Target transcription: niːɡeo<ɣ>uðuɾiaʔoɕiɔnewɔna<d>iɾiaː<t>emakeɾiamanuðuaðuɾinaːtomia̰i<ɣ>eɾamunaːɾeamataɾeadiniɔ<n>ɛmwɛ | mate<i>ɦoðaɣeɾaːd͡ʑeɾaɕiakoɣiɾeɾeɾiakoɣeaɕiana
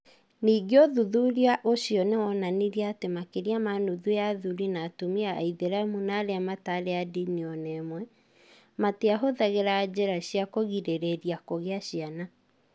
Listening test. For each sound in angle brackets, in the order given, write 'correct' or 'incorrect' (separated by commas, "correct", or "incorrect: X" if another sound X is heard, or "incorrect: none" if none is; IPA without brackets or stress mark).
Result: incorrect: ð, incorrect: n, correct, incorrect: ð, correct, incorrect: a